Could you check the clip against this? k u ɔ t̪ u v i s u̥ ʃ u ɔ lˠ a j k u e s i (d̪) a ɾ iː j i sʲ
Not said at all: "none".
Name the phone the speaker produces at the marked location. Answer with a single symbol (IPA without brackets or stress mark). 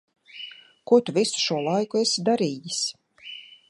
d̪